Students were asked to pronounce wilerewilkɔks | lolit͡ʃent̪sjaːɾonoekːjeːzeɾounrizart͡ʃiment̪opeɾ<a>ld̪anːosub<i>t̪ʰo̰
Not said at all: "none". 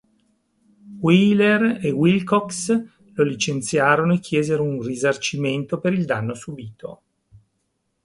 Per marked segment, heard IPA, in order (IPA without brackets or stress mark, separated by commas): i, iː